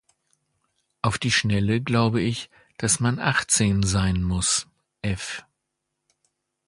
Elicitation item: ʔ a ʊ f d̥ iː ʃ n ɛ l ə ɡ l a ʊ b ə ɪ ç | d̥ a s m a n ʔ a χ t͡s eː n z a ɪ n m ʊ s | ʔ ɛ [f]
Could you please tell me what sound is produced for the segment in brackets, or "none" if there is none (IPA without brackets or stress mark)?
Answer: f